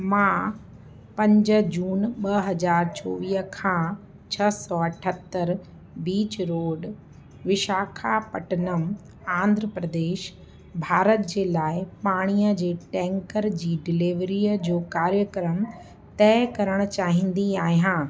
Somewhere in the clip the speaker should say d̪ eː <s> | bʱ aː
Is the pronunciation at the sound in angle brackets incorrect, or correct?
incorrect